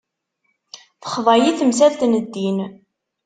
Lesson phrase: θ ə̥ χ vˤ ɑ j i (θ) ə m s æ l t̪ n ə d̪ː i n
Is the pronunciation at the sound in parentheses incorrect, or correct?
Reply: correct